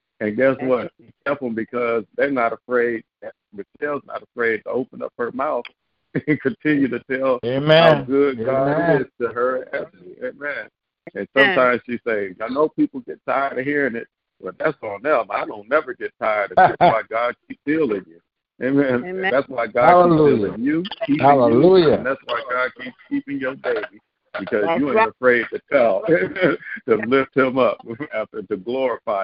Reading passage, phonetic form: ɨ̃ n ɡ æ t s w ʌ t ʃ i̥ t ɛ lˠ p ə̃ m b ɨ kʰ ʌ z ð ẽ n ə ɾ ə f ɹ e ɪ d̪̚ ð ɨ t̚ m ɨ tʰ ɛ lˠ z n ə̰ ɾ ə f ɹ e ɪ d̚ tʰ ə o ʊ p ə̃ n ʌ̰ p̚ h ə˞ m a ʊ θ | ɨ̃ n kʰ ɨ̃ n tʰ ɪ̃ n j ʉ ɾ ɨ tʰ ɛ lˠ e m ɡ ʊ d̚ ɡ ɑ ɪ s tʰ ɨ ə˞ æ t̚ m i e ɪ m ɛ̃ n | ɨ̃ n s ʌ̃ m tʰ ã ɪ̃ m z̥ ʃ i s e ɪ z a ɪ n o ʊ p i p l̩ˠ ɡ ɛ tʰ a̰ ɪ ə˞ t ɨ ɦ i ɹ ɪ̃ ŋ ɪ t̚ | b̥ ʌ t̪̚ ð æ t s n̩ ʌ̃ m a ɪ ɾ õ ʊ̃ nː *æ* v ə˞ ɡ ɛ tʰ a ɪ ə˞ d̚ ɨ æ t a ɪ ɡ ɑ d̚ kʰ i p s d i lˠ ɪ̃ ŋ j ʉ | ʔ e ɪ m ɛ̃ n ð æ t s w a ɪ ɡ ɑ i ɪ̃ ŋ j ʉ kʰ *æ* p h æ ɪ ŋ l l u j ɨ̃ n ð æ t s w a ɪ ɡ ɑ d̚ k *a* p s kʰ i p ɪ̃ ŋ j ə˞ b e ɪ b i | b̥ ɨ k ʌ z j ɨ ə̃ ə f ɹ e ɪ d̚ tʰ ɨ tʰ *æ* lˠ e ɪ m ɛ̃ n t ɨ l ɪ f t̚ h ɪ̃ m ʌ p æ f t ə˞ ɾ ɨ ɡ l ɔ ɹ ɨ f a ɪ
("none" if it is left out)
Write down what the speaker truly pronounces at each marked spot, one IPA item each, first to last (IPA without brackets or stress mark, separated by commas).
ɛ, i, i, ɛ